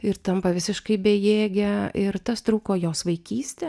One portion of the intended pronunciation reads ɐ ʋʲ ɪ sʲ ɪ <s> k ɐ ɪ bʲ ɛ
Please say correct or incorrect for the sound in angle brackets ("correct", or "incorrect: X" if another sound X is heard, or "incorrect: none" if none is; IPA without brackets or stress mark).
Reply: incorrect: ʃ